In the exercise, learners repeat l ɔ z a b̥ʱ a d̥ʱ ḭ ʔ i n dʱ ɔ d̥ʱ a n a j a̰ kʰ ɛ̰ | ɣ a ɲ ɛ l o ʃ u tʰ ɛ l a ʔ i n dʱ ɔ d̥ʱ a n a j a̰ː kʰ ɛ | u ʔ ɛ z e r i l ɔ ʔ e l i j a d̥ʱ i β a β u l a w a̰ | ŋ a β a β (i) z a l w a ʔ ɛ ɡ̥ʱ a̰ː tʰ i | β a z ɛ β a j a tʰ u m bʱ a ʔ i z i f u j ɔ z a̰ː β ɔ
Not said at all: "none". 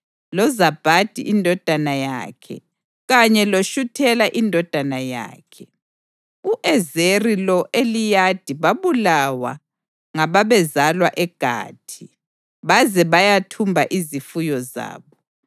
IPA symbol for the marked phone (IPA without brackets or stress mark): ɛ